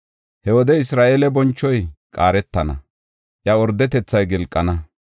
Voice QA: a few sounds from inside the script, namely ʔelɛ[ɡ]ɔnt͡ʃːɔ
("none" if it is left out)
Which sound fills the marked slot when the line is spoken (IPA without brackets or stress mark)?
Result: b